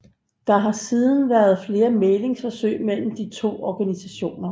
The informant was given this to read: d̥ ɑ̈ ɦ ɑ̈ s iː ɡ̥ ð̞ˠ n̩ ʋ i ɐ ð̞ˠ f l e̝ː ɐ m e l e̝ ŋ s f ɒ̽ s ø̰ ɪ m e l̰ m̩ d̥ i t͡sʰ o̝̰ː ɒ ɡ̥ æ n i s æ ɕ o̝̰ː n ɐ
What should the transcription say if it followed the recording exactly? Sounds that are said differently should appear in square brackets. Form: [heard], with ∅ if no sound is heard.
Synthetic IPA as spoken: d̥ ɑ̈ ɦ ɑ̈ s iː [∅] ð̞ˠ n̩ ʋ [æ] ɐ ð̞ˠ f l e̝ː ɐ m e l e̝ ŋ s f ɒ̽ s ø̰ ɪ m e l̰ m̩ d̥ i t͡sʰ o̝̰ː ɒ ɡ̥ æ n i s æ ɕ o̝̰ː n ɐ